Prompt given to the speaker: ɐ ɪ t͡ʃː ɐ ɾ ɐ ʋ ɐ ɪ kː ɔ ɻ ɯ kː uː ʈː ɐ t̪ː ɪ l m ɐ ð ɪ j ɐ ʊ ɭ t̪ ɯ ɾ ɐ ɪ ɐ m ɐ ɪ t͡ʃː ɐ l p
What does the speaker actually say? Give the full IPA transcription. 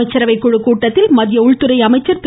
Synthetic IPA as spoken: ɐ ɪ t͡ʃː ɐ ɾ ɐ ʋ ɐ ɪ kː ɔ ɻ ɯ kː uː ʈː ɐ t̪ː ɪ l m ɐ ð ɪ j ɐ ʊ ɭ t̪ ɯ ɾ ɐ ɪ ɐ m ɐ ɪ t͡ʃː ɐ ɾ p